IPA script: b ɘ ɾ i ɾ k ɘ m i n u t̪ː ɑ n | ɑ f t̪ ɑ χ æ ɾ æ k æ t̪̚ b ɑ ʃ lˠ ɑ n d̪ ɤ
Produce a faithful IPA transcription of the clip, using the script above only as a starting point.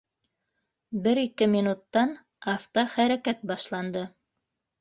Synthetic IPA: b ɘ ɾ i k ɘ m i n u t̪ː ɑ n | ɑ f t̪ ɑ χ æ ɾ æ k æ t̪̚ b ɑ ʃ lˠ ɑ n d̪ ɤ